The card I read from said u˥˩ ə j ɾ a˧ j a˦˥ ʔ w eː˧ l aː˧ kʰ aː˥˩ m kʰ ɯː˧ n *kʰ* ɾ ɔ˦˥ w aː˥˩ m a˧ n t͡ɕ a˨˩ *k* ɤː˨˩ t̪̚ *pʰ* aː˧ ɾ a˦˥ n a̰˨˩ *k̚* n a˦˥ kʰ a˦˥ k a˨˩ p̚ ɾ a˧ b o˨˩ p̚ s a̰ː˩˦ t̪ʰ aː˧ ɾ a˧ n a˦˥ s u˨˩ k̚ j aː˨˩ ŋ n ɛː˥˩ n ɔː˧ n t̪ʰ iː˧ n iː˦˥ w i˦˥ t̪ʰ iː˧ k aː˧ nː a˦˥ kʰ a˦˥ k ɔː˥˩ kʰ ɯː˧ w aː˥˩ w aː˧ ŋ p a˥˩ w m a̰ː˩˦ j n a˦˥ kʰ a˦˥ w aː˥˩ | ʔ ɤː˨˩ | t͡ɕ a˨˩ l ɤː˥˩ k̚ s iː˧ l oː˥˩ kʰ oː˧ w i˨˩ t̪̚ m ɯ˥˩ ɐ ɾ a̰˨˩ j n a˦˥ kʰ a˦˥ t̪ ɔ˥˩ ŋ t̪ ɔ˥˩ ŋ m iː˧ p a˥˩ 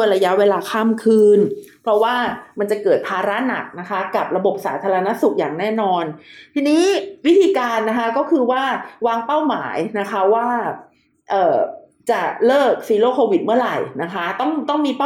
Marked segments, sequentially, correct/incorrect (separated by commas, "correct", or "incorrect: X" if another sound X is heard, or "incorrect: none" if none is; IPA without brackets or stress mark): incorrect: pʰ, correct, correct, correct